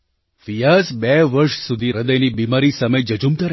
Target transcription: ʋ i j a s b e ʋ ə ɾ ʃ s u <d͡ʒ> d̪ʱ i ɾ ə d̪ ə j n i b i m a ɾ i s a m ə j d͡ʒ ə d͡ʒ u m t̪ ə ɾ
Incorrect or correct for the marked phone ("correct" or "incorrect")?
incorrect